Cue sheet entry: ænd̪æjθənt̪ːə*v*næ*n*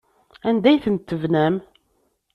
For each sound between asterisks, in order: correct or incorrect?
correct, incorrect: m

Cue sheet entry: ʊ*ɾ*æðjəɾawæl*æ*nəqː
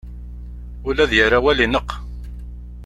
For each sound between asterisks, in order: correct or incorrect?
incorrect: l, incorrect: i

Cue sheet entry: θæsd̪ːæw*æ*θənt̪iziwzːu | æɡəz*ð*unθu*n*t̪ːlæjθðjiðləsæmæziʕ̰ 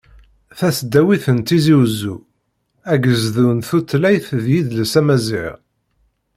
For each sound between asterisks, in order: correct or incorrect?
incorrect: i, correct, incorrect: none

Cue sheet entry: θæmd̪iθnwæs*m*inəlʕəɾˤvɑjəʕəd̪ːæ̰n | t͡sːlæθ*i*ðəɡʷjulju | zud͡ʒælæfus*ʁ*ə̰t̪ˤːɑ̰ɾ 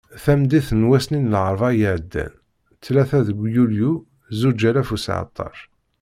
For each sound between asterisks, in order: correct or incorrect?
incorrect: n, incorrect: æ, incorrect: ʕ

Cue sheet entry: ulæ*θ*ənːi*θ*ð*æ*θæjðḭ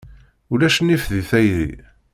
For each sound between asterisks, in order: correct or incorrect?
incorrect: ʃ, incorrect: f, incorrect: i

